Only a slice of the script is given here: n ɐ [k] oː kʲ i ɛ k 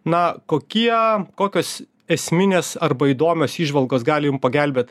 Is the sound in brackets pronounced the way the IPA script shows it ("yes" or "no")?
yes